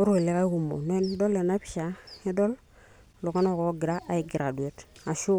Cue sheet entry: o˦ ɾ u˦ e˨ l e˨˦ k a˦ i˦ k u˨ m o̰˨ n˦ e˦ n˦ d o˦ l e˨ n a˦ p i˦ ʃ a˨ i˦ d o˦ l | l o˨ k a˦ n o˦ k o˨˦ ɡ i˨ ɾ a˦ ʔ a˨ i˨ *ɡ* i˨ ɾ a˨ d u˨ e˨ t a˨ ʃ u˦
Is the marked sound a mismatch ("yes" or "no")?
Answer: no